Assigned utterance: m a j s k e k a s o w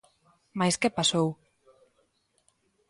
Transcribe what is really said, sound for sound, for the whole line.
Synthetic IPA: m a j s k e p a s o w